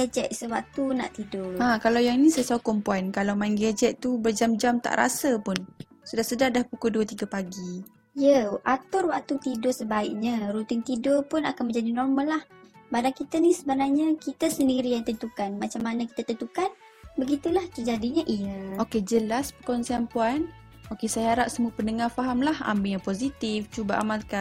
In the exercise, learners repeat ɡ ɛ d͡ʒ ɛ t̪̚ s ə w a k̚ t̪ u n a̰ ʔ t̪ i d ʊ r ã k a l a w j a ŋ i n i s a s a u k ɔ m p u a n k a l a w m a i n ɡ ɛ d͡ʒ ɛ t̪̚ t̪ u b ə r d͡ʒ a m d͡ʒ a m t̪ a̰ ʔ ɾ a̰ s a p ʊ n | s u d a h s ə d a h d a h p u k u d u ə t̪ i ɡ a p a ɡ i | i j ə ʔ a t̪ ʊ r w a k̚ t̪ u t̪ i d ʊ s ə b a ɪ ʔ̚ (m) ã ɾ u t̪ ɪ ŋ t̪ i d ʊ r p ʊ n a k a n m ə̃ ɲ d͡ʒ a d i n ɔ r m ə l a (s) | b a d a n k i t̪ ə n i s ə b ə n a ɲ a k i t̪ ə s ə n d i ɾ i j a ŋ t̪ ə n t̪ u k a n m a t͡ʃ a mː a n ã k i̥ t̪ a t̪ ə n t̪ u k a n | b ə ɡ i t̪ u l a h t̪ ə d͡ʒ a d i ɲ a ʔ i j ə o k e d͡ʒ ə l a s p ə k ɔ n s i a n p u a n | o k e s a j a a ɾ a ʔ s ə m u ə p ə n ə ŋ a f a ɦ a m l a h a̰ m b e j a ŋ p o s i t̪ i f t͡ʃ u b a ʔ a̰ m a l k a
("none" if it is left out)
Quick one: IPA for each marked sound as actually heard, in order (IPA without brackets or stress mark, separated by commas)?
ɲ, h